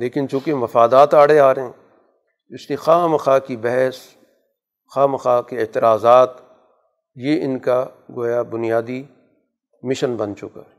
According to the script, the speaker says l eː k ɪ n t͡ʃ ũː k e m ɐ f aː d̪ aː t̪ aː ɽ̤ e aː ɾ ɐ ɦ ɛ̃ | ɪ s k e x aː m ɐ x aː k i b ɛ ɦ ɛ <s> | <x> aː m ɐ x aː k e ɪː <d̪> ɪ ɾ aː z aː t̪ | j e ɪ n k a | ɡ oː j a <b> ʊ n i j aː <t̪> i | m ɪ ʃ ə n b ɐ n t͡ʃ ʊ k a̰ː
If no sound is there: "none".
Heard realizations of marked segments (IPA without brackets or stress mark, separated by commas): s, x, t̪, b, d̪